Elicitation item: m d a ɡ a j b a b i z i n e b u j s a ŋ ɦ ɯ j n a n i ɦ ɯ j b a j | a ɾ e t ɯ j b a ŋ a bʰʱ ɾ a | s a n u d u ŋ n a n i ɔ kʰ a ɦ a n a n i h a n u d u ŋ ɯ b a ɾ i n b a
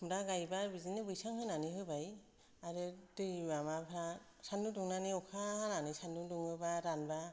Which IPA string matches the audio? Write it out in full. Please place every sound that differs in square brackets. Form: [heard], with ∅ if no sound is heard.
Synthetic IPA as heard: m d a ɡ a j b a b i z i n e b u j s a ŋ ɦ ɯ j n a n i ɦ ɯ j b a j | a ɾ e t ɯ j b a [m] a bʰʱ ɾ a | s a n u d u ŋ n a n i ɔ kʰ a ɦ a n a n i [s] a n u d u ŋ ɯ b a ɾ [a] n b a